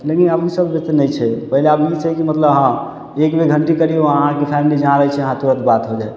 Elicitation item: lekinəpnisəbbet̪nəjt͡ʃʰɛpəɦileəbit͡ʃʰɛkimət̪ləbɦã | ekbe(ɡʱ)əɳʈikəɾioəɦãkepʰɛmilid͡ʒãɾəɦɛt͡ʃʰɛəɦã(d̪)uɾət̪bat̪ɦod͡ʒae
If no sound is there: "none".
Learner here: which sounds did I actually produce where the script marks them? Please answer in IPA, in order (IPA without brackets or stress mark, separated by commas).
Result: ɡʱ, t̪